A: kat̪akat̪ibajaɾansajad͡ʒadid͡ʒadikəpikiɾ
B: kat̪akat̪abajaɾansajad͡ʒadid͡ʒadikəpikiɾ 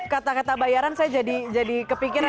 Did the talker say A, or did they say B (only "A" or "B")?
B